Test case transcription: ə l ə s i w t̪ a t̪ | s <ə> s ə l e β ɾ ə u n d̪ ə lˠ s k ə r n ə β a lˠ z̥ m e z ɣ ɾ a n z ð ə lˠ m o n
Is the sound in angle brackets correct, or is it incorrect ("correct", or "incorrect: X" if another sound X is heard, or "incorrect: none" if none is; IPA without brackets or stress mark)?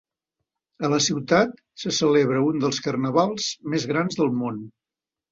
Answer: correct